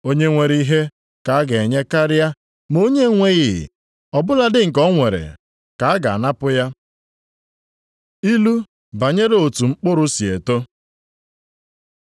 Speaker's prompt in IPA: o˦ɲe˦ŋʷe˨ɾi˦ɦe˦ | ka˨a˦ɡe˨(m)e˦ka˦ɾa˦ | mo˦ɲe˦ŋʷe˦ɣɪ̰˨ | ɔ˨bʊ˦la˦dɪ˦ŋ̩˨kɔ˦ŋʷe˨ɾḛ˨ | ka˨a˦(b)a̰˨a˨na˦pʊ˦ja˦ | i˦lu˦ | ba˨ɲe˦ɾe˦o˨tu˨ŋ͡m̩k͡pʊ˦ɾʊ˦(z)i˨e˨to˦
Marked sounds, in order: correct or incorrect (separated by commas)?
incorrect, incorrect, incorrect